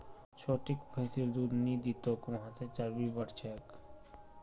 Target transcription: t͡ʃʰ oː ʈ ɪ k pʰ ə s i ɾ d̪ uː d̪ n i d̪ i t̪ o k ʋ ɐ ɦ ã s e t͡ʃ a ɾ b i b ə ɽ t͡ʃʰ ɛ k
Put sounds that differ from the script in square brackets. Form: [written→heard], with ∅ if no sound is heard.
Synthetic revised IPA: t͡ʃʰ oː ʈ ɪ k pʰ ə s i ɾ d̪ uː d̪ n i d̪ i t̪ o k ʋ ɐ ɦ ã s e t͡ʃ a ɾ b i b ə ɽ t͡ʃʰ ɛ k

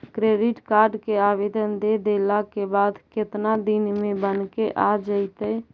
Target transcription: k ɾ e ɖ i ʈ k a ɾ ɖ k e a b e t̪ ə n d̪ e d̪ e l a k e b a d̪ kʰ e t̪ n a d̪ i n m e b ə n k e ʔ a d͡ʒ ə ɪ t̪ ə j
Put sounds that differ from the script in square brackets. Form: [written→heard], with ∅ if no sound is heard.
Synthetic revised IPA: k ɾ e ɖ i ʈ k a ɾ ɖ k e a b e [t̪→d̪] ə n d̪ e d̪ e l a k e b a d̪ [kʰ→k] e t̪ n a d̪ i n m e b ə n k e ʔ a d͡ʒ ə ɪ t̪ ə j

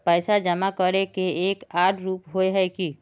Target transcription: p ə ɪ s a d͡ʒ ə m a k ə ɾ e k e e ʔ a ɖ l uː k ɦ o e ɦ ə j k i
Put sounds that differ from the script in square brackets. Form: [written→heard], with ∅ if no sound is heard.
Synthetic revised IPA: p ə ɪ s a d͡ʒ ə m a k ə ɾ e k e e [ʔ→k] a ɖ [l→ɾ] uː [k→p] ɦ o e ɦ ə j k i

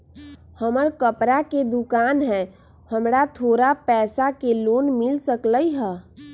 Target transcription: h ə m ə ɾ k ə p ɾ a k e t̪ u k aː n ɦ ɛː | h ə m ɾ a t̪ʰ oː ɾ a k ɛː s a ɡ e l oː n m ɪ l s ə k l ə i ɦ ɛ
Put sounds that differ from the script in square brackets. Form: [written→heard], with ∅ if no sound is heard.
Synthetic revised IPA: h ə m ə ɾ k ə p ɾ a k e [t̪→d̪] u k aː n ɦ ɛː | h ə m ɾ a t̪ʰ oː ɾ a [k→p] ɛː s a [ɡ→k] e l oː n m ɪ l s ə k l ə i ɦ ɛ

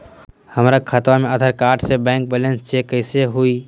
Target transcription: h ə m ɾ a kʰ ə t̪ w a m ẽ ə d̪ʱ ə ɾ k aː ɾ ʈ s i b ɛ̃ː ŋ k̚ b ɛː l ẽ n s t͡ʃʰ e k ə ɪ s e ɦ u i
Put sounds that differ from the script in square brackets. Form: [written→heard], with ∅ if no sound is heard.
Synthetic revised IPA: h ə m ɾ a kʰ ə t̪ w a m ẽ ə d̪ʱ ə ɾ k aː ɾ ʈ s [i→e] b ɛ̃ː ŋ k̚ b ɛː l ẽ n s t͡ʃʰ e k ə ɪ s e ɦ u i

